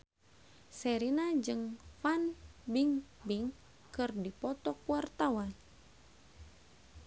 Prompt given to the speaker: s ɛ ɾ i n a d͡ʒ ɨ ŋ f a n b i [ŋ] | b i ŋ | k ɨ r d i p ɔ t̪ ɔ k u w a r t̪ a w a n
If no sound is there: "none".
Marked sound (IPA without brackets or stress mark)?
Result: ŋ